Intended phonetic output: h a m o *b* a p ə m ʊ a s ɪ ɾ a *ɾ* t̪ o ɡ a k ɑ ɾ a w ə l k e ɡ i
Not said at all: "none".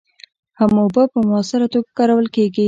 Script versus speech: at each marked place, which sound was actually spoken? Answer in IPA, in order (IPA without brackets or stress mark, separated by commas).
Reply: b, none